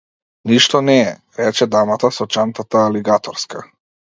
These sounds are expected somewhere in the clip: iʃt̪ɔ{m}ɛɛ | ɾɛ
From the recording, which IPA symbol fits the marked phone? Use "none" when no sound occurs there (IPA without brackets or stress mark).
n